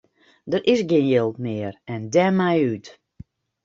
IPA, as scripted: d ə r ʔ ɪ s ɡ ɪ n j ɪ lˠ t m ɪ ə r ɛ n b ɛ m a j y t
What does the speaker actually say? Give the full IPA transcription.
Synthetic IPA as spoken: d ə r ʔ ɪ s ɡ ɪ n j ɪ lˠ t m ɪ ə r ɛ n d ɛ m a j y t